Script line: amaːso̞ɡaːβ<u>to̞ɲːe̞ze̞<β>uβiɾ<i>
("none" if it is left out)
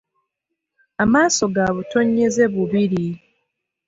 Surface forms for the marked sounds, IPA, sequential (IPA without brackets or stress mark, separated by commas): u, β, i